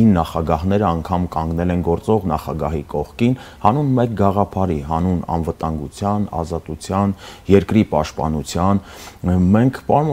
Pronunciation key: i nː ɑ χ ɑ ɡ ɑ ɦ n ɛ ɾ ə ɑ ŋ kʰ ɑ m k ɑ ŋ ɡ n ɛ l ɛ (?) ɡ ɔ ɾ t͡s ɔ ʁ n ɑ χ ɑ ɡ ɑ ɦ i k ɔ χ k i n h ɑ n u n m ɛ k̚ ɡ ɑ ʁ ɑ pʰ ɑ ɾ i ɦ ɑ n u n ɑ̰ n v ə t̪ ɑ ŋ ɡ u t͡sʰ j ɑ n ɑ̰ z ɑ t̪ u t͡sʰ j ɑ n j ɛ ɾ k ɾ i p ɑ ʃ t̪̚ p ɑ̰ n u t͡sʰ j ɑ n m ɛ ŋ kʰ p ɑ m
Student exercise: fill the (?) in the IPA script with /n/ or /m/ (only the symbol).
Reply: n